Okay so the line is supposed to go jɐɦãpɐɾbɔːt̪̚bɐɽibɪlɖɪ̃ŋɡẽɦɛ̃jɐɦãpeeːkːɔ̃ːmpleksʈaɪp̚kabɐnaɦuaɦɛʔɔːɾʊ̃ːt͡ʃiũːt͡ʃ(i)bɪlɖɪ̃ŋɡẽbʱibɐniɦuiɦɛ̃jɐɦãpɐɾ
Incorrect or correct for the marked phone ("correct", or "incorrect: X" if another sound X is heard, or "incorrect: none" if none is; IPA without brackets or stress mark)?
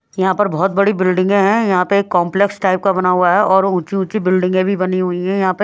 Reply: correct